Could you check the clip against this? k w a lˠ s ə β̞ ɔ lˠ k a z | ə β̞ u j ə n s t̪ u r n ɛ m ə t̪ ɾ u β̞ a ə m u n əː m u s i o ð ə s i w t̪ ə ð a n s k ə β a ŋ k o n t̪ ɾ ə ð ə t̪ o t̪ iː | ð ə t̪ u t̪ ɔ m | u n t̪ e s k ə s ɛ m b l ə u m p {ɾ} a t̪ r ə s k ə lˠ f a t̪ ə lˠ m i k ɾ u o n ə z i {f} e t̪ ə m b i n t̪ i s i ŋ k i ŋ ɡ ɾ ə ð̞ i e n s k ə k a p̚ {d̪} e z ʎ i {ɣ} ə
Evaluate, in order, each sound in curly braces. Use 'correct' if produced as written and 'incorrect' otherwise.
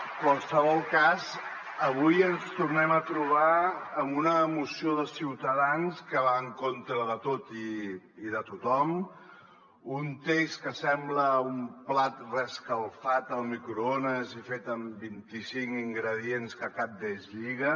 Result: incorrect, correct, correct, correct

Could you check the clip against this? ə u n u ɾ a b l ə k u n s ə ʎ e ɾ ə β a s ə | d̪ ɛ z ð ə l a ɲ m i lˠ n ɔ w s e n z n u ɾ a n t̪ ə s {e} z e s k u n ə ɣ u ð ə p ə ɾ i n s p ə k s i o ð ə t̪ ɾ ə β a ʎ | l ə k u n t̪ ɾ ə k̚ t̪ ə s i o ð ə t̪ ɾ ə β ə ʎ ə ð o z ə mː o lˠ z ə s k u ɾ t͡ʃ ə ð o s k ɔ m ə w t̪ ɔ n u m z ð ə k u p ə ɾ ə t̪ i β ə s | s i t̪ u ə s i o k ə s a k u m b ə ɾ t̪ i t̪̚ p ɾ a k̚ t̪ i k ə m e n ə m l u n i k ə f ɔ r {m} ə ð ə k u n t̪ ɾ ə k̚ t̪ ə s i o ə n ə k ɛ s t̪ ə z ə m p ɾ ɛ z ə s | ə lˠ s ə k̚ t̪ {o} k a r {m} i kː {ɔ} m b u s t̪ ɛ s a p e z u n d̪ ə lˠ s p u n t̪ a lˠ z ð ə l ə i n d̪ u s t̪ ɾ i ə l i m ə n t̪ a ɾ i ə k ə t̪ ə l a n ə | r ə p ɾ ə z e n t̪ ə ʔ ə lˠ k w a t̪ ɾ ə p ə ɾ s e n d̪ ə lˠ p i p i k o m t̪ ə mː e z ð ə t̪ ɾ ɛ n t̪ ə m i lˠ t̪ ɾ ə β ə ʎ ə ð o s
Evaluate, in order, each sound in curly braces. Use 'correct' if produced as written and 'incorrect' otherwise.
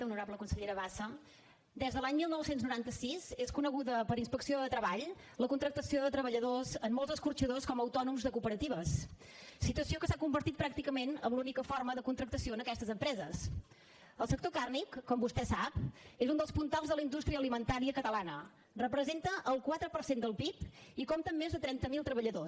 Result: incorrect, correct, correct, incorrect, correct

